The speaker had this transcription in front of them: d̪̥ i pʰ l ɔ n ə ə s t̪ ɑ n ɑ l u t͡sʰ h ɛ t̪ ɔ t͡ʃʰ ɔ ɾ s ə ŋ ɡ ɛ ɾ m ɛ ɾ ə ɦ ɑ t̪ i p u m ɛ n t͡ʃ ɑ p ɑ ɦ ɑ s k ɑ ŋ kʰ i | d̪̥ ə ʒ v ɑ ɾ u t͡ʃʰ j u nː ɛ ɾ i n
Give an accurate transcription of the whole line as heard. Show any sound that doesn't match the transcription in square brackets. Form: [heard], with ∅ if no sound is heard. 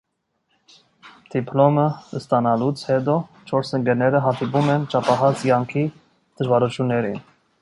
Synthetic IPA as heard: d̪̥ i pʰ l ɔ [m] ə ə s t̪ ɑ n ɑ l u t͡sʰ h ɛ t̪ ɔ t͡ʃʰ ɔ ɾ s ə ŋ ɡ ɛ ɾ [n] ɛ ɾ ə ɦ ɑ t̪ i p u m ɛ n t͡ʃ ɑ p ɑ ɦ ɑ [t͡s] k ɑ ŋ kʰ i | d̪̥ ə ʒ v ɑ ɾ u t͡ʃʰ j u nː ɛ ɾ i n